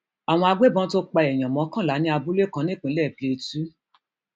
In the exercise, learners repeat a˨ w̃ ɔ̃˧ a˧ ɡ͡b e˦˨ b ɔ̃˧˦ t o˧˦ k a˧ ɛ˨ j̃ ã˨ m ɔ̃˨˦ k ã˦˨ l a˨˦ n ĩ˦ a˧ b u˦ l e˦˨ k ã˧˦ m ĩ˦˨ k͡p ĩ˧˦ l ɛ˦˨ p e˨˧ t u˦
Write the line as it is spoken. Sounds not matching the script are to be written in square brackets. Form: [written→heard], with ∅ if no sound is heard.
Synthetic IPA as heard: a˨ w̃ ɔ̃˧ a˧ ɡ͡b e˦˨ b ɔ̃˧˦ t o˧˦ [k→k͡p] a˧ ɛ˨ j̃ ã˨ m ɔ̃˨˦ k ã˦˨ l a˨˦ n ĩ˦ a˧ b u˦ l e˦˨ k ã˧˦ [m→n] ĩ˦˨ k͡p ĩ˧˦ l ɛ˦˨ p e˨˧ t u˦